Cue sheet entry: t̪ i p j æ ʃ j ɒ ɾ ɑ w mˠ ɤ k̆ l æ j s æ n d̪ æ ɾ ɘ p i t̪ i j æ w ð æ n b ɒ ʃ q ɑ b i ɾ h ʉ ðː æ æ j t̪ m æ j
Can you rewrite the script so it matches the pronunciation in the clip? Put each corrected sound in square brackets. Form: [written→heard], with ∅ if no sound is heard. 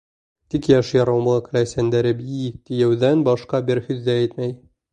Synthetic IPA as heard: t̪ i [p→k] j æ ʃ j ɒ ɾ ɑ w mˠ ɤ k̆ l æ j s æ n d̪ æ ɾ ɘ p i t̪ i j æ w ð æ n b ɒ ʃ q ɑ b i ɾ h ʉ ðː æ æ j t̪ m æ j